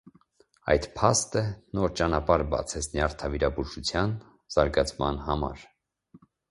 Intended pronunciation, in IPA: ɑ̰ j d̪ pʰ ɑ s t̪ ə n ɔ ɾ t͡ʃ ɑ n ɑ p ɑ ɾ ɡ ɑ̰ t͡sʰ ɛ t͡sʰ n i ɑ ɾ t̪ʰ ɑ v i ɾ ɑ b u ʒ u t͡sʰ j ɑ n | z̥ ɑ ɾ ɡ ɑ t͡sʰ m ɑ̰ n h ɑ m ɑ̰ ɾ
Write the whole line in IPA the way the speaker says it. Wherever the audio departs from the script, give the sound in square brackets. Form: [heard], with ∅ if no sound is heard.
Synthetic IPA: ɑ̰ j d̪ pʰ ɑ s t̪ ə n ɔ ɾ t͡ʃ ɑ n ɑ p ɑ ɾ [b] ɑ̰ t͡sʰ ɛ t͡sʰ n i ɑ ɾ t̪ʰ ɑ v i ɾ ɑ b u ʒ u t͡sʰ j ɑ n | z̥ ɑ ɾ ɡ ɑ t͡sʰ m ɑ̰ n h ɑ m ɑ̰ ɾ